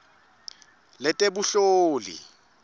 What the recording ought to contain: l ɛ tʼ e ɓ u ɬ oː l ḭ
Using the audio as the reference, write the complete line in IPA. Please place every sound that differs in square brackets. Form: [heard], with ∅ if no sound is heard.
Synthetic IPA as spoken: l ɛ tʼ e [b] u ɬ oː l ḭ

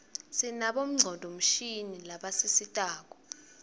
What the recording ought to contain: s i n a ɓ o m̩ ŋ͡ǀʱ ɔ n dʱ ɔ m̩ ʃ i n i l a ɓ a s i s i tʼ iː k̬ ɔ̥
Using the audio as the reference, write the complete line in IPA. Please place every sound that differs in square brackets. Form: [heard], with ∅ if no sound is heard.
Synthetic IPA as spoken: s i n a ɓ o m̩ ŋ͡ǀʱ ɔ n dʱ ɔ m̩ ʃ i n i l a ɓ a s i s i tʼ [aː] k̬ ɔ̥

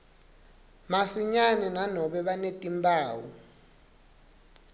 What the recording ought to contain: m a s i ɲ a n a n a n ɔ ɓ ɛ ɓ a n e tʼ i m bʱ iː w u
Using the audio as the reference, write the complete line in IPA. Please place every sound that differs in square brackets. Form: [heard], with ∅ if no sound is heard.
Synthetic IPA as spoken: m a s i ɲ a n [ɛ] n a n ɔ ɓ ɛ ɓ a n e tʼ i m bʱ [aː] w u

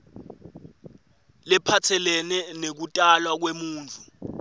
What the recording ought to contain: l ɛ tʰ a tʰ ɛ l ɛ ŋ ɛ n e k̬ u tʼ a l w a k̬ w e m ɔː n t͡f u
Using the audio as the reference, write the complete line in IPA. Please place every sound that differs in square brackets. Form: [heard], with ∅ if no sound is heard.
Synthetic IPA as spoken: l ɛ [pʰ] a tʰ ɛ l ɛ [n] ɛ n e k̬ u tʼ a l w a k̬ w e m [uː] n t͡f u

